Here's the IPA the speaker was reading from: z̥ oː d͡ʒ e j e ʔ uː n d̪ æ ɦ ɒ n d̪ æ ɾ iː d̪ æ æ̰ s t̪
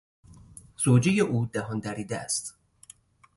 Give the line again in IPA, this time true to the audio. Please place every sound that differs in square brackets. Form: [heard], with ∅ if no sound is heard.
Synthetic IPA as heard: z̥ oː d͡ʒ e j e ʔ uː [∅] d̪ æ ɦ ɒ n d̪ æ ɾ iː d̪ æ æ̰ s t̪